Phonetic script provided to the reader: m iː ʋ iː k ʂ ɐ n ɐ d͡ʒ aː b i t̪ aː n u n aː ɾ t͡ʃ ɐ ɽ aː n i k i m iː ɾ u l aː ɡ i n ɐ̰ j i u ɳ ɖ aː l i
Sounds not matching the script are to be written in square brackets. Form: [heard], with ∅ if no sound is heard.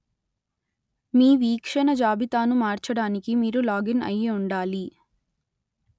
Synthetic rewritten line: m iː ʋ iː k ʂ ɐ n ɐ d͡ʒ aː b i t̪ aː n u [m] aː ɾ t͡ʃ ɐ ɽ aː n i k i m iː ɾ u l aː ɡ i n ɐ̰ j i u ɳ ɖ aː l i